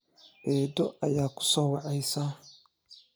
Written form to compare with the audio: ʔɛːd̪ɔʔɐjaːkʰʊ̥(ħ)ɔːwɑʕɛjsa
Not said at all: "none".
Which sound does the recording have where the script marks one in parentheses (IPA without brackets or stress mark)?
s